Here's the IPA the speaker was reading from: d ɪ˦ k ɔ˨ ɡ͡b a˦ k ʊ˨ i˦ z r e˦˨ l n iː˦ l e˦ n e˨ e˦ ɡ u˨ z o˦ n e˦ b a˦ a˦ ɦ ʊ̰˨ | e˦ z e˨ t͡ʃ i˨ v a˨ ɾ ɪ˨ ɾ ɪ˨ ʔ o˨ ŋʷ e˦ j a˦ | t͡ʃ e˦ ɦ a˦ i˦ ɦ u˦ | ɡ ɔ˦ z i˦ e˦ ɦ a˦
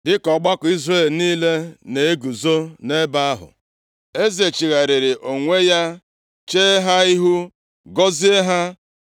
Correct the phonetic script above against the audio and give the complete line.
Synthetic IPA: d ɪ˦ k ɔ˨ ɡ͡b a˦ k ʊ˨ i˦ z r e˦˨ l n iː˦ l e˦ n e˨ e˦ ɡ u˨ z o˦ n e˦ b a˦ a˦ ɦ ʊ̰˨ | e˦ z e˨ t͡ʃ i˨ ɣ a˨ ɾ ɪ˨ ɾ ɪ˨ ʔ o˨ ŋʷ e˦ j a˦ | t͡ʃ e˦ ɦ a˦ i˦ ɦ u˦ | ɡ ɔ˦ z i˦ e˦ ɦ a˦

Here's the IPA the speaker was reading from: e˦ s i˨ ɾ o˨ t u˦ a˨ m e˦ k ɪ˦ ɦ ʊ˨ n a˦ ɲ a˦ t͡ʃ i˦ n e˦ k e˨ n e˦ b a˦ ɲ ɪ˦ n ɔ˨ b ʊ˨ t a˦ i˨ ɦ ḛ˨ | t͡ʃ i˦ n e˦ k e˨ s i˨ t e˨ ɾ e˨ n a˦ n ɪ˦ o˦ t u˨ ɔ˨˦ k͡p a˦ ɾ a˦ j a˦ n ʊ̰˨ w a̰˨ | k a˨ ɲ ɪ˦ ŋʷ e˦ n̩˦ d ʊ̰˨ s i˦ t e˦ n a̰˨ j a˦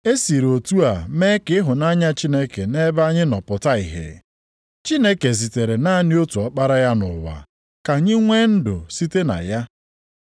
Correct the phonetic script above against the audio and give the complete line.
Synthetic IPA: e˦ s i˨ ɾ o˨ t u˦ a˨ m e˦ k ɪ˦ ɦ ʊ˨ n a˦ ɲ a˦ t͡ʃ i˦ n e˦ k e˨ n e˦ b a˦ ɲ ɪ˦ n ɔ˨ p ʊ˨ t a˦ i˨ ɦ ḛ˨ | t͡ʃ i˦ n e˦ k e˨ z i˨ t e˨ ɾ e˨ n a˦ n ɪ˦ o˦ t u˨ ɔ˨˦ k͡p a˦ ɾ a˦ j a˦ n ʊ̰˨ w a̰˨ | k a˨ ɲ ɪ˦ ŋʷ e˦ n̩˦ d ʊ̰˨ s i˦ t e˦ n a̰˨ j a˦

